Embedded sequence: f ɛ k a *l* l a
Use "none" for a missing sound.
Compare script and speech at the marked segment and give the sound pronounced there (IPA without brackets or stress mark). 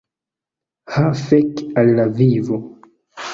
l